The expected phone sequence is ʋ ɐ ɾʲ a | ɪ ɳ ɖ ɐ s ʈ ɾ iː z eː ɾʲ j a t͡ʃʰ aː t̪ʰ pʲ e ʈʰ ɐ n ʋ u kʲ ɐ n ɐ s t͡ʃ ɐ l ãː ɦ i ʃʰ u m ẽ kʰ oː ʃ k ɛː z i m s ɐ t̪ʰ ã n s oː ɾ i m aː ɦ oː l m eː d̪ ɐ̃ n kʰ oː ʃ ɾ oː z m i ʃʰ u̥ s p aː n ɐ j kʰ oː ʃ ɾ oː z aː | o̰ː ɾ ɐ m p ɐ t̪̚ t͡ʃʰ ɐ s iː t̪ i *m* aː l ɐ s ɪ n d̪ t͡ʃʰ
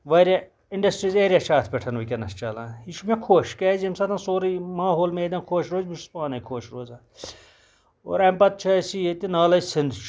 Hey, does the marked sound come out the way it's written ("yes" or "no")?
no